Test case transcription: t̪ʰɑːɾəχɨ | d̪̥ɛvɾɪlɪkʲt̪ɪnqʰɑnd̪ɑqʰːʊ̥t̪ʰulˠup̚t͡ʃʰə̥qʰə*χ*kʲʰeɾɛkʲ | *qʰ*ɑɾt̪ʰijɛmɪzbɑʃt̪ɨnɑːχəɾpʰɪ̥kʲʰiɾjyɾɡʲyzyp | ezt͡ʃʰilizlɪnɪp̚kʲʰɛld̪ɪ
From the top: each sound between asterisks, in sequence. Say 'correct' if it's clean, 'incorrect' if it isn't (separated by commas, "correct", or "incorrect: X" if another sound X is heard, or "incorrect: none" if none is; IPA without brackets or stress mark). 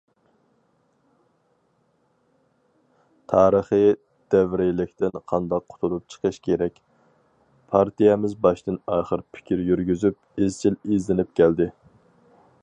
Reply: incorrect: ʃ, incorrect: pʰ